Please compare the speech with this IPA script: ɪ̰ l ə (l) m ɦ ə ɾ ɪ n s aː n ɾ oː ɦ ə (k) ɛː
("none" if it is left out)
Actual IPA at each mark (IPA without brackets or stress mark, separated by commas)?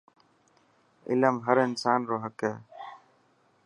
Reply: none, k